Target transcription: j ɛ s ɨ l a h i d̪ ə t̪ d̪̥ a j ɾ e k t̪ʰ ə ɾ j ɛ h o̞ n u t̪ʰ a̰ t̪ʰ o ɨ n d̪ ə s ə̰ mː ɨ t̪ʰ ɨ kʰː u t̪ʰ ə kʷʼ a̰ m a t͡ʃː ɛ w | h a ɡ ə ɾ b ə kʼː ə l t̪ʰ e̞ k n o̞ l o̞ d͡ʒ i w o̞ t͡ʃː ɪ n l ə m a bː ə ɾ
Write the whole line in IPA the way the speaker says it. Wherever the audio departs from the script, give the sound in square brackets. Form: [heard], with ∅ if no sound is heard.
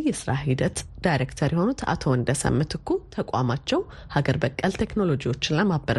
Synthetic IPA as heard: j ɛ s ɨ [ɾ] a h i d̪ ə t̪ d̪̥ a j ɾ e k t̪ʰ ə ɾ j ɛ h o̞ n u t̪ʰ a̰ t̪ʰ o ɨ n d̪ ə s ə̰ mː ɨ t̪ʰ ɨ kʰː u t̪ʰ ə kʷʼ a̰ m a t͡ʃː ɛ w | h a ɡ ə ɾ b ə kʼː ə l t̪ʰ e̞ k n o̞ l o̞ d͡ʒ i w o̞ t͡ʃː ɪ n l ə m a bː ə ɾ